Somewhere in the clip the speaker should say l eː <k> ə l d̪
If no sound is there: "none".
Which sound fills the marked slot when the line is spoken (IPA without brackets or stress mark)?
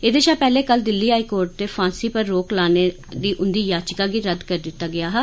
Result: k